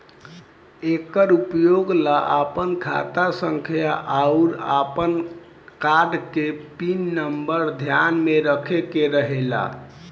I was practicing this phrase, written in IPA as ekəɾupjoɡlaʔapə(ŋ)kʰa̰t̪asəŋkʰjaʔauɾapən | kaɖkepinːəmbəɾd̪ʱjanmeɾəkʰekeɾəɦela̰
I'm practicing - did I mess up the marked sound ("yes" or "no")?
yes